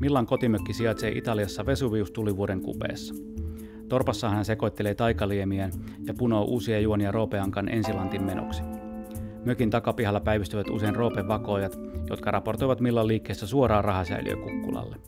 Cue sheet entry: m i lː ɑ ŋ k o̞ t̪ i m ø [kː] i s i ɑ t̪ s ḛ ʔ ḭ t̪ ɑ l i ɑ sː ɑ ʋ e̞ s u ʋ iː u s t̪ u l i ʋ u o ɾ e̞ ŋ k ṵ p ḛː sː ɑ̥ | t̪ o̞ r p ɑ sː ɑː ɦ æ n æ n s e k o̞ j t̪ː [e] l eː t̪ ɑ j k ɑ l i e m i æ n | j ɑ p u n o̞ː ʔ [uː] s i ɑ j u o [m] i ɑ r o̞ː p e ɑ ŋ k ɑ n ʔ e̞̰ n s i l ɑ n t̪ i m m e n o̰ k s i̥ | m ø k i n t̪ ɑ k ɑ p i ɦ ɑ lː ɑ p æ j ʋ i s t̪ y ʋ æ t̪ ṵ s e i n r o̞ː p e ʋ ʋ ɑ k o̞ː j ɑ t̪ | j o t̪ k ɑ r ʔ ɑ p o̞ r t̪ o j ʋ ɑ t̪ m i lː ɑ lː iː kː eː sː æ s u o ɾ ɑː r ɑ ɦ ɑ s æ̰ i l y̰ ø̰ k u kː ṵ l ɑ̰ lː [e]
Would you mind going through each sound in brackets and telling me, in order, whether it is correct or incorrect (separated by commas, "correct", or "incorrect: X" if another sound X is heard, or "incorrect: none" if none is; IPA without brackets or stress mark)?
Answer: correct, correct, correct, incorrect: n, correct